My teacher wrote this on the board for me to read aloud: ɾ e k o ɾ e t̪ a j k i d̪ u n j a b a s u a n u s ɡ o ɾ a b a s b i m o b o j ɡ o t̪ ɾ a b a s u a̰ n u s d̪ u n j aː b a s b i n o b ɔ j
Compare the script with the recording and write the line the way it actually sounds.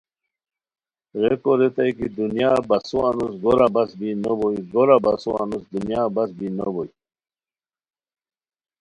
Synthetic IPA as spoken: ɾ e k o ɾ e t̪ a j k i d̪ u n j a b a s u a n u s ɡ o ɾ a b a s b i n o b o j ɡ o ɾ a b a s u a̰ n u s d̪ u n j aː b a s b i n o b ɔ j

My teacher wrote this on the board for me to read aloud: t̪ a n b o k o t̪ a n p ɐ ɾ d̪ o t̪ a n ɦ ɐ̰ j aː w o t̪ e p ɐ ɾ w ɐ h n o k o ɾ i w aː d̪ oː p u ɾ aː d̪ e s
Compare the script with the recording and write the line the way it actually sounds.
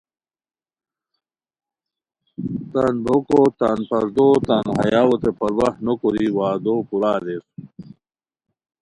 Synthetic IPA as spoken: t̪ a n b o k o t̪ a n p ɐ ɾ d̪ o t̪ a n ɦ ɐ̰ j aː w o t̪ e p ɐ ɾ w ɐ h n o k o ɾ i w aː d̪ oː p u ɾ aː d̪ e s

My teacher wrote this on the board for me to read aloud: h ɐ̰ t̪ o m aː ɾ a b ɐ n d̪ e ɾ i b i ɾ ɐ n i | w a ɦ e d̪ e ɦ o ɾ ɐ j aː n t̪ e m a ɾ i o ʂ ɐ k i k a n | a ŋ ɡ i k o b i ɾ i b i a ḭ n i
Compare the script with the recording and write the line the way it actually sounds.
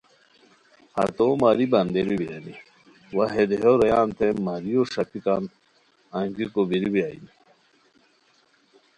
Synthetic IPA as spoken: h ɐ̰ t̪ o m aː ɾ i b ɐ n d̪ e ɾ i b i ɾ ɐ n i | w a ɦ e d̪ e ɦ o ɾ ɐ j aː n t̪ e m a ɾ i o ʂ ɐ p i k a n | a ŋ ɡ i k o b i ɾ i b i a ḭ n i

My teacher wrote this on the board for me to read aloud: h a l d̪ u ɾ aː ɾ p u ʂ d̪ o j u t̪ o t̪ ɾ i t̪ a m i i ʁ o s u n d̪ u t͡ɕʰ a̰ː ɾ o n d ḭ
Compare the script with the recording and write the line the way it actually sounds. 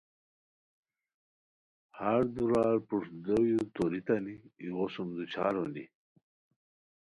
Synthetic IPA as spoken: h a ɾ d̪ u ɾ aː ɾ p u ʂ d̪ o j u t̪ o ɾ i t̪ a n i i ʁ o s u m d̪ u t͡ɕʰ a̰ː ɾ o n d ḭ

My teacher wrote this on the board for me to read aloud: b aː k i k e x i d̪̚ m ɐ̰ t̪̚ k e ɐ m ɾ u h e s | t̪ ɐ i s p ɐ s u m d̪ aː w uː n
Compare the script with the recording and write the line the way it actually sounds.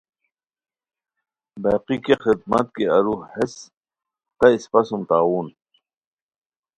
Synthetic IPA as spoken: b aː q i k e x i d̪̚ m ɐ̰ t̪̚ k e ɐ ɾ u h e s | t̪ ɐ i s p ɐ s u m t̪ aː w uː n

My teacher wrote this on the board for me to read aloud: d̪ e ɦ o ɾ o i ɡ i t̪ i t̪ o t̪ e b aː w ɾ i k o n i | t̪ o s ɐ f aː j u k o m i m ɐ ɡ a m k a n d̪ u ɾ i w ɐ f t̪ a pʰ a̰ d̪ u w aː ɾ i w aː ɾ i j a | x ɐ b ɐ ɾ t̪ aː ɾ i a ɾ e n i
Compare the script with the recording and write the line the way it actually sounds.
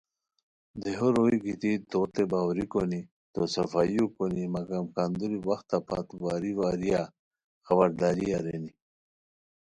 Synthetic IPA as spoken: d̪ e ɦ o ɾ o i ɡ i t̪ i t̪ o t̪ e b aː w ɾ i k o n i | t̪ o s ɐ f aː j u k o n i m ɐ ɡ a m k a n d̪ u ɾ i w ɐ x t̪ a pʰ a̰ t̪ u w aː ɾ i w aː ɾ i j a | x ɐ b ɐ ɾ d̪ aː ɾ i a ɾ e n i

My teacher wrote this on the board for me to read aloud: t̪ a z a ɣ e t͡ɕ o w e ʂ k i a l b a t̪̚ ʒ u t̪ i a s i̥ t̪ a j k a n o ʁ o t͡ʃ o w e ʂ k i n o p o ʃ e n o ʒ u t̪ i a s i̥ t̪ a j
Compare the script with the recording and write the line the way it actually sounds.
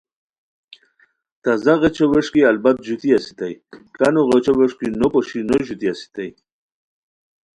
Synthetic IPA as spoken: t̪ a z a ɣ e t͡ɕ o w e ʂ k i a l b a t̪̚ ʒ u t̪ i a s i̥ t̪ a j k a n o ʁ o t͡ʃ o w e ʂ k i n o p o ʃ i n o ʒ u t̪ i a s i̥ t̪ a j

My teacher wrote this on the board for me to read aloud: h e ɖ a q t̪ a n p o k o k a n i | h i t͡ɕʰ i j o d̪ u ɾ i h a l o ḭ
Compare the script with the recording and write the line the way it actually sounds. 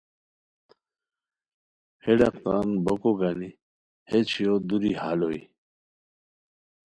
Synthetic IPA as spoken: h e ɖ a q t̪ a n b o k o ɡ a n i | h e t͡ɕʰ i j o d̪ u ɾ i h a l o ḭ

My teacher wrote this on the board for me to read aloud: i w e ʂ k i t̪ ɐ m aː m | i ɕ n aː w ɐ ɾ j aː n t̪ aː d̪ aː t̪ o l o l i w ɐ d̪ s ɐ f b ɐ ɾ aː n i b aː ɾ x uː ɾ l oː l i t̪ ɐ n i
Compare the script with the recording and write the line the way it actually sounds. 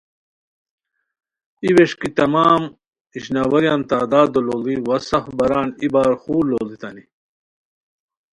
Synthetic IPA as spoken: i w e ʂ k i t̪ ɐ m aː m | i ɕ n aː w ɐ ɾ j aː n t̪ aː d̪ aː d̪ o l o l i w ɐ s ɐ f b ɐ ɾ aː n i b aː ɾ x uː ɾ l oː l i t̪ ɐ n i

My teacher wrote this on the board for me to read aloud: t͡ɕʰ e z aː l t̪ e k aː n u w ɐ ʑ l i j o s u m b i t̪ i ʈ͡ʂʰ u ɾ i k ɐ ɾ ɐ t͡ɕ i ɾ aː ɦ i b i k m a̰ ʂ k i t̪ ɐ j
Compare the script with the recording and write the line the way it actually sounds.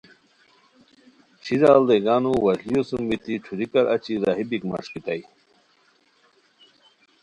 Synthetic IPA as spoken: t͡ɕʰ i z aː l d̪ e ɡ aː n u w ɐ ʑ l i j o s u m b i t̪ i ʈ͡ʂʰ u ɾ i k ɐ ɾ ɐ t͡ɕ i ɾ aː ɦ i b i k m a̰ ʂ k i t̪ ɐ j

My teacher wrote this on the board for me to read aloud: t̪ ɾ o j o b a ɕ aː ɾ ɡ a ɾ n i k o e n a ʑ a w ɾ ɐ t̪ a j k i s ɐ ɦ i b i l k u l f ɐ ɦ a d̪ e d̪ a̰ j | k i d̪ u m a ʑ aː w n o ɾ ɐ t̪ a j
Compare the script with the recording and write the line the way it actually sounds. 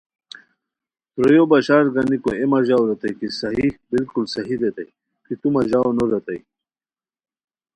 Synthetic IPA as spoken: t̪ ɾ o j o b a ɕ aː ɾ ɡ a n i k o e m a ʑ a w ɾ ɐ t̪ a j k i s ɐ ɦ i b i l k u l s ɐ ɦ i d̪ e t̪ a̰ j | k i t̪ u m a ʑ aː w n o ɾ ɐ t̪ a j

